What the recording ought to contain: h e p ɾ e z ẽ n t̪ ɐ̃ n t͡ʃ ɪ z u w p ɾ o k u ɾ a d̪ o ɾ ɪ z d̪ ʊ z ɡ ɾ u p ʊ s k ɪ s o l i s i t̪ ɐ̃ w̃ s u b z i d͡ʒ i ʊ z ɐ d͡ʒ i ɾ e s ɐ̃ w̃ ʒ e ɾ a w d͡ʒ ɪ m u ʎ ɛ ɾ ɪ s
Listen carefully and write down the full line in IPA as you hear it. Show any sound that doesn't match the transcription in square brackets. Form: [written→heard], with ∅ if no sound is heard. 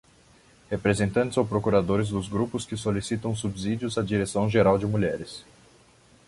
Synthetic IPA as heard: h e p ɾ e z ẽ n t̪ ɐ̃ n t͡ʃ ɪ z [u→o] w p ɾ o k u ɾ a d̪ o ɾ ɪ z d̪ ʊ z ɡ ɾ u p ʊ s k ɪ s o l i s i t̪ ɐ̃ w̃ s u b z i d͡ʒ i ʊ z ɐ d͡ʒ i ɾ e s ɐ̃ w̃ ʒ e ɾ a w d͡ʒ ɪ m u ʎ ɛ ɾ ɪ s